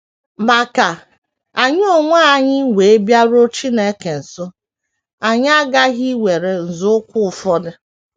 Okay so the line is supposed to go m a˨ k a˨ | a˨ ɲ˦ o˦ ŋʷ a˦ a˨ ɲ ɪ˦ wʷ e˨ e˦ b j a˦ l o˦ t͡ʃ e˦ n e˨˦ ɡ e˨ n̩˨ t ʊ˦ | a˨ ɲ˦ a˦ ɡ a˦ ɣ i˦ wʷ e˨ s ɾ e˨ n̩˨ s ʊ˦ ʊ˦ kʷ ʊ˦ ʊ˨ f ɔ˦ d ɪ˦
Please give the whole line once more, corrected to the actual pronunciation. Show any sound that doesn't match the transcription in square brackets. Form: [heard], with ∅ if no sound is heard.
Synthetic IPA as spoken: m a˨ k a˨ | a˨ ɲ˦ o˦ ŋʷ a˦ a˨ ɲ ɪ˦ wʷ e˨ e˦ b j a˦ [ɾ] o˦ t͡ʃ [i˦] n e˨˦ [k] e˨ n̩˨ [s] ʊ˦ | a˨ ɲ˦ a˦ ɡ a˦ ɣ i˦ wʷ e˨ [∅] ɾ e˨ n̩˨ [z] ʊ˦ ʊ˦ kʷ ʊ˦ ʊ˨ f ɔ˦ d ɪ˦